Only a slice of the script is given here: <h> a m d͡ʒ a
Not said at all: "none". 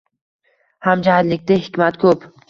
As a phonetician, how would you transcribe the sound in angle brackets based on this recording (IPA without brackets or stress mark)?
h